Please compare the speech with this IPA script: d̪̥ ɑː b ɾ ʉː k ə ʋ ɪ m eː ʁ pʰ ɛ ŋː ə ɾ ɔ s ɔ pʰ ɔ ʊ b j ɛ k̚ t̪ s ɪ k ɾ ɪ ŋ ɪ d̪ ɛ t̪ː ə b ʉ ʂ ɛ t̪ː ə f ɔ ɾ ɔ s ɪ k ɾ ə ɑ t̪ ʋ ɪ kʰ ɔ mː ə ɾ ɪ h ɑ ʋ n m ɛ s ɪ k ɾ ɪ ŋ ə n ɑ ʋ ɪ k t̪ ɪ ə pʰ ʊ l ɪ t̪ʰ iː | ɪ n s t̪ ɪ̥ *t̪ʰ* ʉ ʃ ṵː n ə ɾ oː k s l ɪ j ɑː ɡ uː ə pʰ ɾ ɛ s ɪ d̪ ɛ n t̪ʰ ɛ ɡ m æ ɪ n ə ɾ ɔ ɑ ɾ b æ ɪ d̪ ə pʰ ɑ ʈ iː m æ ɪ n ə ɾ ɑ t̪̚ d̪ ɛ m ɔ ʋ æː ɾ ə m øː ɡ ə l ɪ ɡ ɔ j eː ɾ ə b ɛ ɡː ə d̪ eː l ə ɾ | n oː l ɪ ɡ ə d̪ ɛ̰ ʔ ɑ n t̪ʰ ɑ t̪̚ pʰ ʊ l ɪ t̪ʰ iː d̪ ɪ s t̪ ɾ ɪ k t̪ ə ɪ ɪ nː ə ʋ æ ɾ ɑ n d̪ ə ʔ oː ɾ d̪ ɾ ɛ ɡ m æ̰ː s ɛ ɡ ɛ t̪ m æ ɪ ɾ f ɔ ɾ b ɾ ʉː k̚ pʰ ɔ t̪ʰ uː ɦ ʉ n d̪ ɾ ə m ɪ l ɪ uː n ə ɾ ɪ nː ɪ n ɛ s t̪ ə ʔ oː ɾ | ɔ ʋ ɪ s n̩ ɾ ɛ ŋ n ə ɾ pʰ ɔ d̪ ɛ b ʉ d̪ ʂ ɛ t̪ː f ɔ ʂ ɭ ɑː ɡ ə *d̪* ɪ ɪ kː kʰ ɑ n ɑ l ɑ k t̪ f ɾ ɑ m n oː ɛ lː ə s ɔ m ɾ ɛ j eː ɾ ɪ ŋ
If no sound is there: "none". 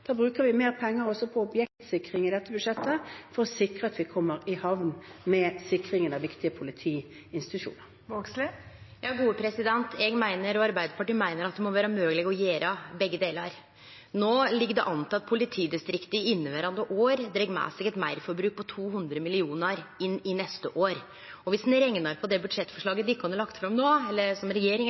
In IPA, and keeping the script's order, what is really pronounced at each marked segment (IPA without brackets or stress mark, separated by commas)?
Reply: t̪, d̪